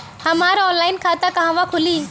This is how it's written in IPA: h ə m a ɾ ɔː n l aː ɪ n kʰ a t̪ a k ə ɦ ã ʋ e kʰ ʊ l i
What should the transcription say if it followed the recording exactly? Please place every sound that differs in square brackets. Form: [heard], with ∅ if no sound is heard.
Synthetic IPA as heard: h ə m a ɾ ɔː n l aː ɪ n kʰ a t̪ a k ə ɦ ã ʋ [a] kʰ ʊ l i